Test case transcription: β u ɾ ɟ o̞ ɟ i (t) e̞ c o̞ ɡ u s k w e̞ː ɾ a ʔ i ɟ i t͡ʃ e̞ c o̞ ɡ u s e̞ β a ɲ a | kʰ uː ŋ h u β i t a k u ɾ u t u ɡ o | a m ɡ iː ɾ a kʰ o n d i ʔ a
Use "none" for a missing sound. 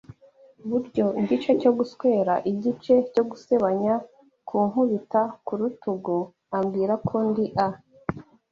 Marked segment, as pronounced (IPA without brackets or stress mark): t͡ʃ